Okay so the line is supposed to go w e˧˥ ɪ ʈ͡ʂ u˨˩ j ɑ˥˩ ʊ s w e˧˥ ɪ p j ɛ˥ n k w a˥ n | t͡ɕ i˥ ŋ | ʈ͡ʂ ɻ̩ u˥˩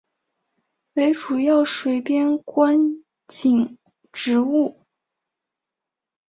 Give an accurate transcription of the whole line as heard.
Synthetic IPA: w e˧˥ ɪ ʈ͡ʂ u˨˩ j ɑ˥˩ ʊ ʂ w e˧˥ ɪ p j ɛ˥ n k w a˥ n | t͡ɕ i˨˩ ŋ | ʈ͡ʂ ɻ̩ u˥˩